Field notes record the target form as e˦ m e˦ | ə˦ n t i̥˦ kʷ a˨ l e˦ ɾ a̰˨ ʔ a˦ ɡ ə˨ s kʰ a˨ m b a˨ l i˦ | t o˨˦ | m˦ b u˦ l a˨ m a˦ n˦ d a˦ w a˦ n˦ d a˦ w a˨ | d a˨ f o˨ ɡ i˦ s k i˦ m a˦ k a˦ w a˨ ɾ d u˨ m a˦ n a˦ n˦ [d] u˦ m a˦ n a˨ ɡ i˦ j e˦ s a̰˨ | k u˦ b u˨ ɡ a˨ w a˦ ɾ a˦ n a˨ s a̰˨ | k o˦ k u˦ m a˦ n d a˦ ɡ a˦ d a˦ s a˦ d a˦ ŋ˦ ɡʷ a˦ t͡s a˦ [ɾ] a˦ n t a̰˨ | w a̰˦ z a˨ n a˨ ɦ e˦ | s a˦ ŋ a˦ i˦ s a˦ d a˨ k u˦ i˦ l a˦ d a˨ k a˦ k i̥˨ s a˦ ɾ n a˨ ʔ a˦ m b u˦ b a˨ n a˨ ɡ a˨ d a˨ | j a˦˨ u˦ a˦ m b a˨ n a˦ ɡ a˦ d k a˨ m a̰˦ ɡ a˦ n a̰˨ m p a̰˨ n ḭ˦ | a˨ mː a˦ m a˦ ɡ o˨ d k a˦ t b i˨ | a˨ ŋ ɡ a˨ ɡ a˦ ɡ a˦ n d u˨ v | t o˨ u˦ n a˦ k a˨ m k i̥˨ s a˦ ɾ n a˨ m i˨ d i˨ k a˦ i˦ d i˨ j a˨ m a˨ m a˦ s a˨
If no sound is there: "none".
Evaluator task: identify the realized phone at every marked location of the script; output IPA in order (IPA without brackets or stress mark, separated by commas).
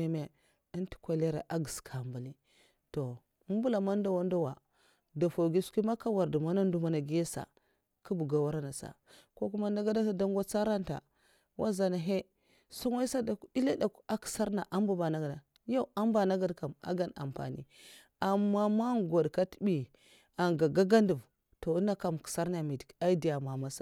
d, ɾ